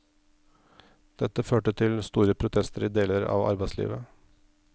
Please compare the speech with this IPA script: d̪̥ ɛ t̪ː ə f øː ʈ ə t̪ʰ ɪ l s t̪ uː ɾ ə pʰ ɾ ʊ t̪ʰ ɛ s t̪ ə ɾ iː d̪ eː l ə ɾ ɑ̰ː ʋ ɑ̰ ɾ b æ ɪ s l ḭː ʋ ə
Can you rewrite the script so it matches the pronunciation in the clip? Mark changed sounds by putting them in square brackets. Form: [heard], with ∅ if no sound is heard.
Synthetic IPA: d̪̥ ɛ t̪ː ə f øː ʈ ə t̪ʰ ɪ l s t̪ uː ɾ ə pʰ ɾ ʊ t̪ʰ ɛ s t̪ ə ɾ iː d̪ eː l ə ɾ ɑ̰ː ʋ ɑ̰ ɾ b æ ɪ s l ḭː ʋ ə